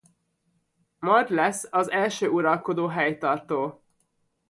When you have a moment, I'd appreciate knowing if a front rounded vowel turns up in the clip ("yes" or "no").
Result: yes